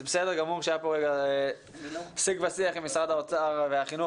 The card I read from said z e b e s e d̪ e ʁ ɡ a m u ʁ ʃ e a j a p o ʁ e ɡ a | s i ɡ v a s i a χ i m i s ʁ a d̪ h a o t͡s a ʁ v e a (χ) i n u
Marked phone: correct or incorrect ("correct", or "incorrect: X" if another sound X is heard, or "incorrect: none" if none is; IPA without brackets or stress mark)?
correct